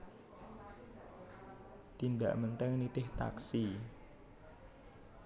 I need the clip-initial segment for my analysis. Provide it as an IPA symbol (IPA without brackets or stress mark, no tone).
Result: t̪